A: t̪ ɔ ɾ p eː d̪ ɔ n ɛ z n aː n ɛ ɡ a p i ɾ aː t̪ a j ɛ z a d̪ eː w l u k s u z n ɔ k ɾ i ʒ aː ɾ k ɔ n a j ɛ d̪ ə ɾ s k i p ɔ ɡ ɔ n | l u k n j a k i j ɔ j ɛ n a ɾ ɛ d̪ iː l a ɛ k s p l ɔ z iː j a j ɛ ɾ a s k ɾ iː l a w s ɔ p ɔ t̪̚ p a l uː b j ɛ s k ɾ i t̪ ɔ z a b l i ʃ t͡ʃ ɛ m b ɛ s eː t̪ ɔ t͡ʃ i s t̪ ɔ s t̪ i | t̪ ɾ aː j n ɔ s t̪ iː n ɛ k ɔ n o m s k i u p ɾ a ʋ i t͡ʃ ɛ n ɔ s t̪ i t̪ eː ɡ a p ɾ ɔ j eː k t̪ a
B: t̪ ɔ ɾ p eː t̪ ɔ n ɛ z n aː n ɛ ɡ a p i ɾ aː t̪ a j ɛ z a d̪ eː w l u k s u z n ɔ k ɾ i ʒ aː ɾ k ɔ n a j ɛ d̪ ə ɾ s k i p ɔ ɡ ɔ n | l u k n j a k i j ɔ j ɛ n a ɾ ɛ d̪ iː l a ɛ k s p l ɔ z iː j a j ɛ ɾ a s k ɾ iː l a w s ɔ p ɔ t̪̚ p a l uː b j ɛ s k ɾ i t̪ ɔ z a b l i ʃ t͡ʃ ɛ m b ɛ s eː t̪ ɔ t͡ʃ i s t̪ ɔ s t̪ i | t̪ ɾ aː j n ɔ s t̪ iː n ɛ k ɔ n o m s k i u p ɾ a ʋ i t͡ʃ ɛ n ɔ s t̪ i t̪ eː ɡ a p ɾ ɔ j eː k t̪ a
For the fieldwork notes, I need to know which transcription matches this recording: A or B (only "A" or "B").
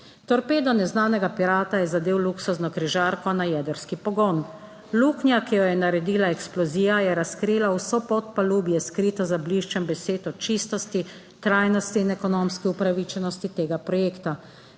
A